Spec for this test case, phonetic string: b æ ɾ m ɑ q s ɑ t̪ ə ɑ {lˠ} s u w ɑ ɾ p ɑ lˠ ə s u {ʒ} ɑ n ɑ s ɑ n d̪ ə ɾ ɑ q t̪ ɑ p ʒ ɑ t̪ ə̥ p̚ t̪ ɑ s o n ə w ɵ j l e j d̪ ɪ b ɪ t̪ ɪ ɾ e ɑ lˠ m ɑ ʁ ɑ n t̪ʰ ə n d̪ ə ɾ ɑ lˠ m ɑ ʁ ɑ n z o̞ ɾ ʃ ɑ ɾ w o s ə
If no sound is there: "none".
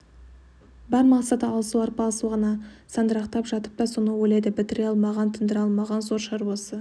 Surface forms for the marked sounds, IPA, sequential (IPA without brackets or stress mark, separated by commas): lˠ, ʁ